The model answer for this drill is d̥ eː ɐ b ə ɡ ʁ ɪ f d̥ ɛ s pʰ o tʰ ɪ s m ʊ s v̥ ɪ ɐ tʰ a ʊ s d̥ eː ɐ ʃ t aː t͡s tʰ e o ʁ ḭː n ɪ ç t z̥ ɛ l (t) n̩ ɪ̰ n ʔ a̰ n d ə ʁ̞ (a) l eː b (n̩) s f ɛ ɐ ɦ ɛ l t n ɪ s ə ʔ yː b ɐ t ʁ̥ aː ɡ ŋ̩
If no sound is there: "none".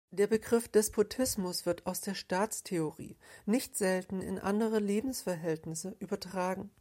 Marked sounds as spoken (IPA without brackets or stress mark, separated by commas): t, ə, m̩